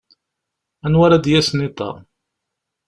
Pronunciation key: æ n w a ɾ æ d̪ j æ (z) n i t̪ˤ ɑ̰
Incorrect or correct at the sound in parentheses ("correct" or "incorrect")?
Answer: incorrect